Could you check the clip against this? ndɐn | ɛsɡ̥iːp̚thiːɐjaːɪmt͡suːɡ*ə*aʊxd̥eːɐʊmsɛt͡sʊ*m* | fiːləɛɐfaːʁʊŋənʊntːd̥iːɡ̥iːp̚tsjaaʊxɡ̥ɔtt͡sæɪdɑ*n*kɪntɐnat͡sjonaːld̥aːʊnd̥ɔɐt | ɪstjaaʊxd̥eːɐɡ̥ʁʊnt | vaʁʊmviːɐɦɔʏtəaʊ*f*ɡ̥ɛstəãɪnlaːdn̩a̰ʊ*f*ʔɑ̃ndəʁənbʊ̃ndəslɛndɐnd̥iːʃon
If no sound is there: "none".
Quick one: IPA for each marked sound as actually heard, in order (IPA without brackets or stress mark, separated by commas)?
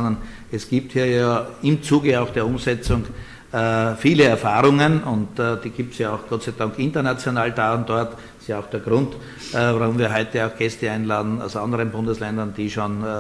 ə, ŋ, ŋ, x, s